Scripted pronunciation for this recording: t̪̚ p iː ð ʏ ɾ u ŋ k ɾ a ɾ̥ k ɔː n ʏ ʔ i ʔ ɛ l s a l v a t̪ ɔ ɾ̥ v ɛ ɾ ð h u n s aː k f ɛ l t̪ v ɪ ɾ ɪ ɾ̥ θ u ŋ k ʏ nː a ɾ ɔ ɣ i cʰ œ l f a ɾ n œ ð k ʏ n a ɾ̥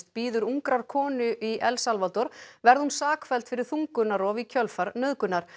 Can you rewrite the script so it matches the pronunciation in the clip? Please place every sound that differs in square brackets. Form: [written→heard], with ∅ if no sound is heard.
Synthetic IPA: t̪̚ p iː ð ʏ ɾ u ŋ k ɾ a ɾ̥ [k→kʰ] ɔː n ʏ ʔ i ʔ ɛ l s a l v a t̪ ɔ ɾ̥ v ɛ ɾ ð h u n s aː k f ɛ l t̪ [v→f] ɪ ɾ ɪ ɾ̥ θ u ŋ k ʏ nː a ɾ ɔ [ɣ→v] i cʰ œ l f a ɾ n œ ð k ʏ n a ɾ̥